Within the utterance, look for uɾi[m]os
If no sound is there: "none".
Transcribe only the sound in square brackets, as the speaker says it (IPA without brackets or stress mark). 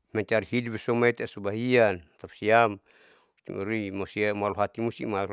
m